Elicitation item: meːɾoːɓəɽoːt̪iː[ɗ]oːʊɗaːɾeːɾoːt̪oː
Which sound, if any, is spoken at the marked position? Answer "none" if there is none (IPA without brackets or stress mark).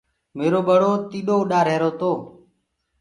ɗ